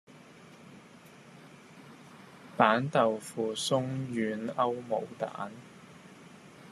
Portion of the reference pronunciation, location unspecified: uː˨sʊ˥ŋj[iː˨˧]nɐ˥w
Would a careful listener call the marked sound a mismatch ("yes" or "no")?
yes